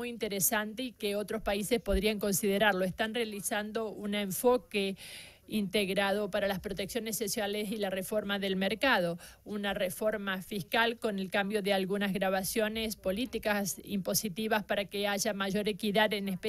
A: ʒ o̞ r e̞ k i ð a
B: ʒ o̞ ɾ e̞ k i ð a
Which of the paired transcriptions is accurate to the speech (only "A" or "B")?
B